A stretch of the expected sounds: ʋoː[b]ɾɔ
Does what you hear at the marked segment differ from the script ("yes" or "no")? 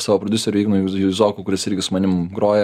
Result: yes